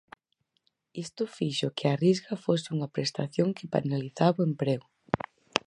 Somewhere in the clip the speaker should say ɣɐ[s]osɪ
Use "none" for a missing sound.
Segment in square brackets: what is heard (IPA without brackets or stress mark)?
f